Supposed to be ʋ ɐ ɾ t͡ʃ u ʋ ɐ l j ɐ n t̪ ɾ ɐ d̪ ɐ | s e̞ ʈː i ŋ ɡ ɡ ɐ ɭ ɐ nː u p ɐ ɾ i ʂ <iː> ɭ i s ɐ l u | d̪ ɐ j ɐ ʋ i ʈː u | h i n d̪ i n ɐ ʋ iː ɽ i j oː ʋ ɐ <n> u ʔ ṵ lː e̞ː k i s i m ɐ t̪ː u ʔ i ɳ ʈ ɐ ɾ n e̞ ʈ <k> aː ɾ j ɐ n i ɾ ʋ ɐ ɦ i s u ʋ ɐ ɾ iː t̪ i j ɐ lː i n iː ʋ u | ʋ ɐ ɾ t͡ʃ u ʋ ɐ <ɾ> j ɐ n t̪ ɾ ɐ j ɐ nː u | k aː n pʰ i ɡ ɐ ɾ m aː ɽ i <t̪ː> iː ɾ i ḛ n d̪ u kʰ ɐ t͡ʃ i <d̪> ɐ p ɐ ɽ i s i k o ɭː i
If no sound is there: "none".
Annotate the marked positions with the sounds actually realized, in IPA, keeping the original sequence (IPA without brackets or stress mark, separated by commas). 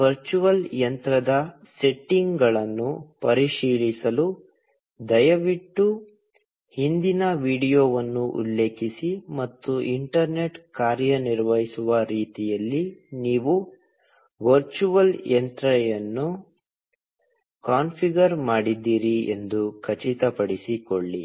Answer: iː, nː, k, l, d̪ː, t̪